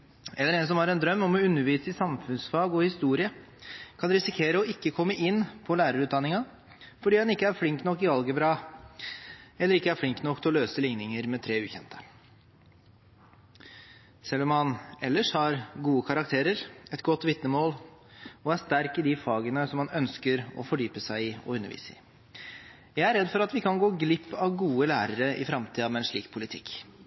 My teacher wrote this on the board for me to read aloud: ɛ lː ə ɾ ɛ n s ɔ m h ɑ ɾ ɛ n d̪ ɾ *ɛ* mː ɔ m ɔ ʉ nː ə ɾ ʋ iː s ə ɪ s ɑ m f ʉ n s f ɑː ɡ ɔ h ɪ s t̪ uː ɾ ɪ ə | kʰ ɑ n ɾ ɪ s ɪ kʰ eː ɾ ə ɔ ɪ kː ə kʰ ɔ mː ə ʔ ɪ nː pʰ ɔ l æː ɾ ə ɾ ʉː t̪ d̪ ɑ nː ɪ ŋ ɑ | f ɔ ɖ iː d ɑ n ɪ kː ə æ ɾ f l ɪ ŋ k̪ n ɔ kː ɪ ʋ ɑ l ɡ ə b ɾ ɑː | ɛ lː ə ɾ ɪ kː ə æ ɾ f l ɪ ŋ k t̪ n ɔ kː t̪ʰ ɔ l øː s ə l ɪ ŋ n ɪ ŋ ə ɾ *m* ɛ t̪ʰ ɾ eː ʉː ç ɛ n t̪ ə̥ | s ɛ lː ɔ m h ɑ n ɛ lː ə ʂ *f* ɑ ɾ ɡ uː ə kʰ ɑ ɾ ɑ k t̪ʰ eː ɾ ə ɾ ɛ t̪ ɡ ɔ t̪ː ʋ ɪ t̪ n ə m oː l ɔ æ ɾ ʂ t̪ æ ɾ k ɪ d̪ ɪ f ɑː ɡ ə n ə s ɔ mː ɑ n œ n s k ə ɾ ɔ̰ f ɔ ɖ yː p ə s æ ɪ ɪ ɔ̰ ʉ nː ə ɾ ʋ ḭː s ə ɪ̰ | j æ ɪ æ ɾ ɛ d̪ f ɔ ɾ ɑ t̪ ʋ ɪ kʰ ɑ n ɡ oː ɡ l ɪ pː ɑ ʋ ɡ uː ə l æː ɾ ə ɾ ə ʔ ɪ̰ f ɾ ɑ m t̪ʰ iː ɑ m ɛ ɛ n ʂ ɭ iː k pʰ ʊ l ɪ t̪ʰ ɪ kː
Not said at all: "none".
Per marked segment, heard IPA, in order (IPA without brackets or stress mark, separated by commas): œ, m, h